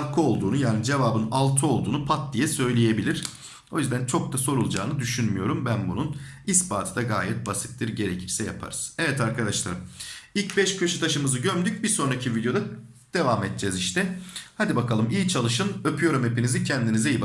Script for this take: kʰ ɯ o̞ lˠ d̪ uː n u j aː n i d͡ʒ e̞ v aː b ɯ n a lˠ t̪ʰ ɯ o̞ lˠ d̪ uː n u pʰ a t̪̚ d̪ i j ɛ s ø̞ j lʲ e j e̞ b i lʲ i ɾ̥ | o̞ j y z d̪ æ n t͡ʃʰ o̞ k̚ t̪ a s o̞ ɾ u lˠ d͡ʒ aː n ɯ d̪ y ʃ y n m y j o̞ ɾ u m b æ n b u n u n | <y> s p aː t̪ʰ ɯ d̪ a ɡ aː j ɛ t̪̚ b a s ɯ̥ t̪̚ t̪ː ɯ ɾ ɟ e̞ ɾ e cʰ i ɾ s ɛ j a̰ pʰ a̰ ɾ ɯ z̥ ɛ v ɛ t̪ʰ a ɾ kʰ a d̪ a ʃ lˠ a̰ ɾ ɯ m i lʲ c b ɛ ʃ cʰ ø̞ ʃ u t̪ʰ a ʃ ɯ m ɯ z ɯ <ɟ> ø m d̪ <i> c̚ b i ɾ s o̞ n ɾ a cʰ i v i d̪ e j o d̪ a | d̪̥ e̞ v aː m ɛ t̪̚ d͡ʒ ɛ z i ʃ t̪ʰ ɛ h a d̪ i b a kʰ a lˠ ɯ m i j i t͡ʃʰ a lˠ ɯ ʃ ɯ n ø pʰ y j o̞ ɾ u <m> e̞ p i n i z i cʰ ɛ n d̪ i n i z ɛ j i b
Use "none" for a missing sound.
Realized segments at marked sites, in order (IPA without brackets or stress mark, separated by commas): i, ɟ, y, m